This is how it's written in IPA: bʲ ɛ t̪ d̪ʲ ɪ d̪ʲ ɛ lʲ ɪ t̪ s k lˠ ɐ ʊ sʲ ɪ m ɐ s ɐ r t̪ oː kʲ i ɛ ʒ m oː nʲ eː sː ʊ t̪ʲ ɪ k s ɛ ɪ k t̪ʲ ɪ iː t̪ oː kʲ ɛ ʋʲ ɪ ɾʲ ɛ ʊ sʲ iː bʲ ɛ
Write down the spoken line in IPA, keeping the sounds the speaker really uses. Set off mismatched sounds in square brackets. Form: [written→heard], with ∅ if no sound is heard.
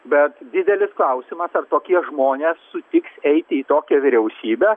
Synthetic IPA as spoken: bʲ ɛ t̪ d̪ʲ ɪ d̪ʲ ɛ lʲ ɪ [t̪→∅] s k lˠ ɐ ʊ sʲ ɪ m ɐ s ɐ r t̪ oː kʲ i ɛ ʒ m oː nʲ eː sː ʊ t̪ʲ ɪ k s ɛ ɪ [k→∅] t̪ʲ ɪ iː t̪ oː kʲ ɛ ʋʲ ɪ ɾʲ ɛ ʊ sʲ iː bʲ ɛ